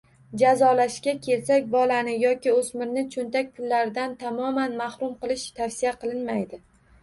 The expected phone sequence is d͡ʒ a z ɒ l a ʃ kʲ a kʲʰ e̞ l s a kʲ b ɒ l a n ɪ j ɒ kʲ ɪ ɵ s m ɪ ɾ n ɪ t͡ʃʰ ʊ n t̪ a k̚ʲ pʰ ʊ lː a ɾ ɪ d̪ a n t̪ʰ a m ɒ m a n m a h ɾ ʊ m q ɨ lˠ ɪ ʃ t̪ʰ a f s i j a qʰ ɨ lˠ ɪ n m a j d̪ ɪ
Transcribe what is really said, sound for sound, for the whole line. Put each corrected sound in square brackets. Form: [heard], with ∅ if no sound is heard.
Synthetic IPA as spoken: d͡ʒ a z ɒ l a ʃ kʲ a kʲʰ e̞ l s a kʲ b ɒ l a n ɪ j ɒ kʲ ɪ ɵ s m ɪ ɾ n ɪ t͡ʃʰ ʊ n t̪ a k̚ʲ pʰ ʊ lː a ɾ ɪ d̪ a n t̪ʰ a m ɒ m a n m a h ɾ ʊ m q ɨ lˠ ɪ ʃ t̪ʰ a f s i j a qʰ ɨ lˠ ɪ n m a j d̪ ɪ